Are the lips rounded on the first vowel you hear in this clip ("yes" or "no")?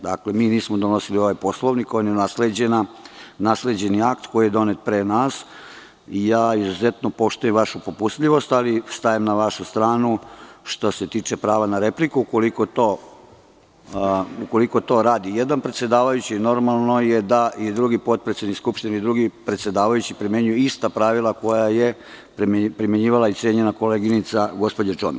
no